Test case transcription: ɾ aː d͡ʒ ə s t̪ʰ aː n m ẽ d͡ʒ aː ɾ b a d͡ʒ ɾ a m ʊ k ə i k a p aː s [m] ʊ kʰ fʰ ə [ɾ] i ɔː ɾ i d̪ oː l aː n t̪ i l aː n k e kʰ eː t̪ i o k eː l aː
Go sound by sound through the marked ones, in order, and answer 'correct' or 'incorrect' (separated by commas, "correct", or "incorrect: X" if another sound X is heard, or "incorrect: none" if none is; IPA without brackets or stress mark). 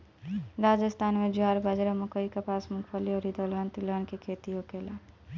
correct, incorrect: l